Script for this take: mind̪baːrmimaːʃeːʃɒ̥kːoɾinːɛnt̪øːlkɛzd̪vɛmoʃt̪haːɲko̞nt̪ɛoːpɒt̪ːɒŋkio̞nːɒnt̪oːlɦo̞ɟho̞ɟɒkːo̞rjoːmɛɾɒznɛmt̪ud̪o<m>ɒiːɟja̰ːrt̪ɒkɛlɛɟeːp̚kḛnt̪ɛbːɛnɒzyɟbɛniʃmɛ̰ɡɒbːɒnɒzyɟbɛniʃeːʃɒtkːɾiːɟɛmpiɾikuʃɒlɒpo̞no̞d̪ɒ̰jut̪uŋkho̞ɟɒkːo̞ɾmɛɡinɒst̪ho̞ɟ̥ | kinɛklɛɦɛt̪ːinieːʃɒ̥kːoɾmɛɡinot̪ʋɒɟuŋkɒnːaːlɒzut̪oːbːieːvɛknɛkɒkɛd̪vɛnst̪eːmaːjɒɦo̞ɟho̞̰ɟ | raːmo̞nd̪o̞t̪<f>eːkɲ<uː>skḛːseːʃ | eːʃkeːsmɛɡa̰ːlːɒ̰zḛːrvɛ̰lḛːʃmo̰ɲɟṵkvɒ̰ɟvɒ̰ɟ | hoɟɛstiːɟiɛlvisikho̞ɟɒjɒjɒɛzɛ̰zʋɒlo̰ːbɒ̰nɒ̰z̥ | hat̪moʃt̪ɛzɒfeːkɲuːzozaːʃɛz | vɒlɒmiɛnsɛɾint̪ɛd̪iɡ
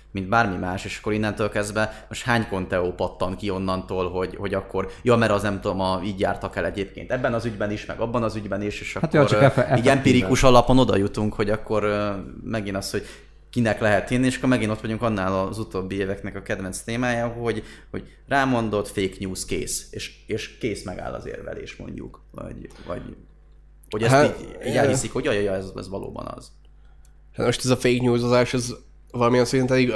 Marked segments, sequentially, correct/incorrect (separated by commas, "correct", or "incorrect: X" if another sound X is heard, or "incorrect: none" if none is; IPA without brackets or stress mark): correct, correct, correct